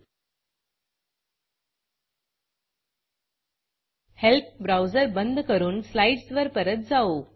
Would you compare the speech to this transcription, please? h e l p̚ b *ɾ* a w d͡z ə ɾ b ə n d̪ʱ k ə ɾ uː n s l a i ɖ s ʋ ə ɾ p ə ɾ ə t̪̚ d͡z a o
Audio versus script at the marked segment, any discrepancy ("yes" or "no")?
no